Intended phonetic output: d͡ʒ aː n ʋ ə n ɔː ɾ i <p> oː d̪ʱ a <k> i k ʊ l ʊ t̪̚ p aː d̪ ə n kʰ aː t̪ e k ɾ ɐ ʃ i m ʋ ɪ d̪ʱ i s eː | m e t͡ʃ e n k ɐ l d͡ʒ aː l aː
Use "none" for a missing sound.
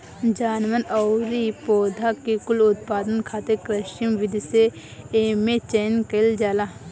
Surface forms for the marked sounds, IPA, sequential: p, k

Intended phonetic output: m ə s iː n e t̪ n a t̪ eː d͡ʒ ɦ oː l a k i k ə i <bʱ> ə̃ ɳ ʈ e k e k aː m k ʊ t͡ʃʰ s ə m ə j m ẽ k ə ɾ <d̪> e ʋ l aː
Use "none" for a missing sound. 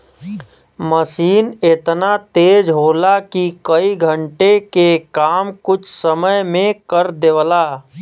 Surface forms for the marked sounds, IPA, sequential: ɡʱ, d̪

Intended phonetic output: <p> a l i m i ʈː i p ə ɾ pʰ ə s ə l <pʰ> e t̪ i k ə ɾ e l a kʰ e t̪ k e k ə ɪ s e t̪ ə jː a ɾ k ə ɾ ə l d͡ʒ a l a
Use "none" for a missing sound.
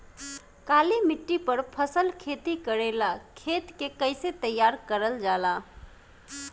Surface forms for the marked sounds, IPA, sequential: k, kʰ

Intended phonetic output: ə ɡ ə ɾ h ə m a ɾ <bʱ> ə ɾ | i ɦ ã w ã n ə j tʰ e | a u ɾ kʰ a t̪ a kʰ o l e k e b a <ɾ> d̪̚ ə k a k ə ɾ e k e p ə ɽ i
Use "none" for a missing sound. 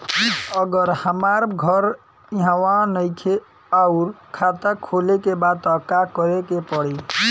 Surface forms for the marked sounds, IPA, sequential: ɡʱ, none

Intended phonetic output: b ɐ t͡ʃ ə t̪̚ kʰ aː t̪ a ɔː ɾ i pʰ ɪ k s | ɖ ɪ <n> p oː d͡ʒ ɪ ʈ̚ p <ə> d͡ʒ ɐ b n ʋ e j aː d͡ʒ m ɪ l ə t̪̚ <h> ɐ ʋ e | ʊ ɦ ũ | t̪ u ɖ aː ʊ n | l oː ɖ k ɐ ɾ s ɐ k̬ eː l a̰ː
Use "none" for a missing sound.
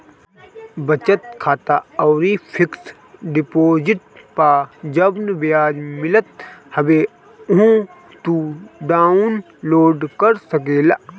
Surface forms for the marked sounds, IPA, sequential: none, a, h

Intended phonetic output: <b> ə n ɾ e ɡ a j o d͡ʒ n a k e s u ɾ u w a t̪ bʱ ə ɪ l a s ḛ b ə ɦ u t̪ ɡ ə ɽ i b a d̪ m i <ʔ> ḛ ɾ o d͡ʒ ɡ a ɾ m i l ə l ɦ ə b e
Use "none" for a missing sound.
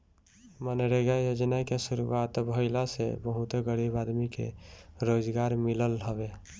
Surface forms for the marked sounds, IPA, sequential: m, k

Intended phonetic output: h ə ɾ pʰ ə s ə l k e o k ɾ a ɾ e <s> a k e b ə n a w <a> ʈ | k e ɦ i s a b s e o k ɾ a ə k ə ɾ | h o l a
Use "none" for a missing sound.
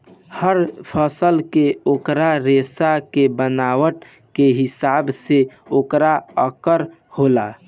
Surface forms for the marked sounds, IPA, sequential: s, ə

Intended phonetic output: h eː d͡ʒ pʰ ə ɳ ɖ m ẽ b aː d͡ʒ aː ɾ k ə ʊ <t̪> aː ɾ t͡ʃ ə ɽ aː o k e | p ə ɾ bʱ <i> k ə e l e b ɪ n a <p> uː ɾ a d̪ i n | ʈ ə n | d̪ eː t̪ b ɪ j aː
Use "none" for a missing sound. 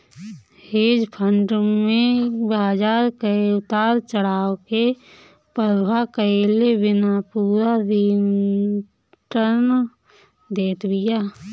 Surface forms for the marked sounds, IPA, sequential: t̪, a, p

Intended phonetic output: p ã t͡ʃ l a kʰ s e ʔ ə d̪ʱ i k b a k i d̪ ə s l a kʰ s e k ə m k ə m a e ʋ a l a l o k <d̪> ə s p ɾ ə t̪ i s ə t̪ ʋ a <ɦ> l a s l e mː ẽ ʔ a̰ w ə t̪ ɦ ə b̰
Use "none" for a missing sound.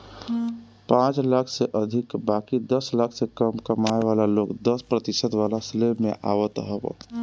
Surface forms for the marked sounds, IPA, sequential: d̪, none

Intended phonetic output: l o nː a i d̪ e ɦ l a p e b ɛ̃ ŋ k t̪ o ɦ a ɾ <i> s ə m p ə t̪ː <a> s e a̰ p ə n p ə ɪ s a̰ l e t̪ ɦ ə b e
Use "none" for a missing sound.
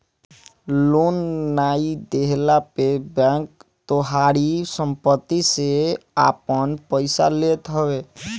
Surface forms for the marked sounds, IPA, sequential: i, i

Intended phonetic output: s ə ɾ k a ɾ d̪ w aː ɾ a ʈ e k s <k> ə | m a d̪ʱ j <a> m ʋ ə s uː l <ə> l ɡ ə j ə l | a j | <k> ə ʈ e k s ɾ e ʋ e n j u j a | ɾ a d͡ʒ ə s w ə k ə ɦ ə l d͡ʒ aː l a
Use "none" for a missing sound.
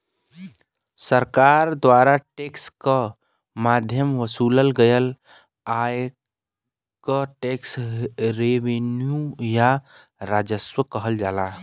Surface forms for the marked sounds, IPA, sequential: k, ə, ə, k

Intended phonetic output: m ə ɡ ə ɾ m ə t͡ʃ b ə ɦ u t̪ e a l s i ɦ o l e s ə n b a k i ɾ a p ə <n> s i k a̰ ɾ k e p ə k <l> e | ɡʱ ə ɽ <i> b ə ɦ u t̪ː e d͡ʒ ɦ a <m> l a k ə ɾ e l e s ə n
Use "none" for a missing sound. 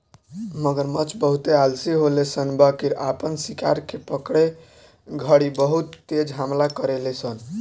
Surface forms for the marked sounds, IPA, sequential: n, ɽ, i, m

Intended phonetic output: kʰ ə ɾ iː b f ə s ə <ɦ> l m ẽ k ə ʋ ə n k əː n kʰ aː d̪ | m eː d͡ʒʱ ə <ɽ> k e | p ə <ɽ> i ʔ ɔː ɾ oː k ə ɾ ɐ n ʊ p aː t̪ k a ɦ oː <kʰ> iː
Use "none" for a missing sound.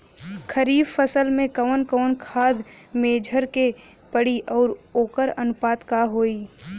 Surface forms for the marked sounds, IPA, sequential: none, ɾ, ɽ, none

